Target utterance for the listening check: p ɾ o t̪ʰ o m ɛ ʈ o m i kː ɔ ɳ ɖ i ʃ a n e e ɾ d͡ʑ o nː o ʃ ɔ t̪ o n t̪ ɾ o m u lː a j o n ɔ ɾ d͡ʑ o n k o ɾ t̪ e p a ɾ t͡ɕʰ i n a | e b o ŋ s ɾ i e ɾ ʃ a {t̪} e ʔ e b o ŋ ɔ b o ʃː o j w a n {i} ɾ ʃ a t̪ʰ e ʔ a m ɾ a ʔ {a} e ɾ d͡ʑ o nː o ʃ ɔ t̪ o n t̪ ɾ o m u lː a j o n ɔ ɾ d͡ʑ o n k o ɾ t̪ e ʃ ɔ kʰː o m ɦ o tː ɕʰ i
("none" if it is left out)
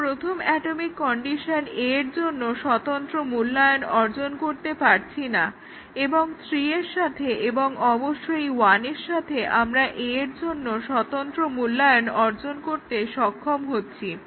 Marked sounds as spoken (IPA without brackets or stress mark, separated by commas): t̪ʰ, e, e